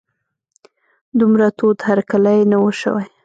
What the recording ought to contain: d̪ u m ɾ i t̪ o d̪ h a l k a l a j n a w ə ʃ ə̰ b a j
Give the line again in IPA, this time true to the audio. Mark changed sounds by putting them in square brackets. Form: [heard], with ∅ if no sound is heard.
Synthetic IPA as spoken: d̪ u m ɾ [a] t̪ o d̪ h a [ɾ] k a l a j n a w ə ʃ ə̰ [w] a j